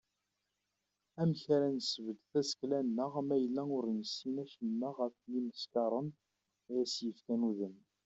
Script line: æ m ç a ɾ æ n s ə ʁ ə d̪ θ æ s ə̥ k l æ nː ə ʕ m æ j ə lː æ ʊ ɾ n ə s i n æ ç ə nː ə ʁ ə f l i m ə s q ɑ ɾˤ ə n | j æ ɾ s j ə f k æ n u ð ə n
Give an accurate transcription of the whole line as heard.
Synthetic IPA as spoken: æ m ç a ɾ æ n s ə v ə d̪ θ æ s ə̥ k l æ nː ə ʁ m æ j ə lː æ ʊ ɾ n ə s i n æ ç ə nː ə ʁ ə f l i m ə s k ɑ ɾˤ ə n | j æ s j ə f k æ n u ð ə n